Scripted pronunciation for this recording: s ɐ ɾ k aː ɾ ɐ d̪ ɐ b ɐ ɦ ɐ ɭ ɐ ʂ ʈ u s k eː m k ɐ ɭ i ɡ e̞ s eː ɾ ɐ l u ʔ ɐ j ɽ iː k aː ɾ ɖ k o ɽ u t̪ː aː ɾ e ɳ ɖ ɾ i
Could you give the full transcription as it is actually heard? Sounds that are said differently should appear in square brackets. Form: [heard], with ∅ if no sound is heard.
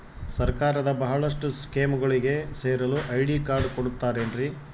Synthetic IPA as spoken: s ɐ ɾ k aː ɾ ɐ d̪ ɐ b ɐ ɦ ɐ ɭ ɐ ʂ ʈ u s k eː m [ɡ] ɐ ɭ i ɡ e̞ s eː ɾ ɐ l u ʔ ɐ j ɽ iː k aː ɾ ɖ k o ɽ u t̪ː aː ɾ e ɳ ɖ ɾ i